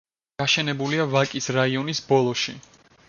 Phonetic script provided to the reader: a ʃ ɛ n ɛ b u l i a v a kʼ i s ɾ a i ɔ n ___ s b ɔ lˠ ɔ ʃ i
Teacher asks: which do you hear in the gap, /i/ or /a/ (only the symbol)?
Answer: i